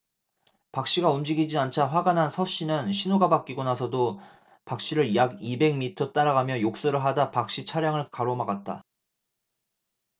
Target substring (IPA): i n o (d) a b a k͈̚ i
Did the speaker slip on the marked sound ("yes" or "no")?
yes